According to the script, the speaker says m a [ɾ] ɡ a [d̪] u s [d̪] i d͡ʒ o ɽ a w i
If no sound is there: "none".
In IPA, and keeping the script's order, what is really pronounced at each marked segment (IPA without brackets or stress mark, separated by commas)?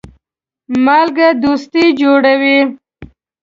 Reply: l, d̪, t̪